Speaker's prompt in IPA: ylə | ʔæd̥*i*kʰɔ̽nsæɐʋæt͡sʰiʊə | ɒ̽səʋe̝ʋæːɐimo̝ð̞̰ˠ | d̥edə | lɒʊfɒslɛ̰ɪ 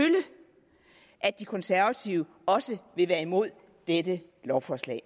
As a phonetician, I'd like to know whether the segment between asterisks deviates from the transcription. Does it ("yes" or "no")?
no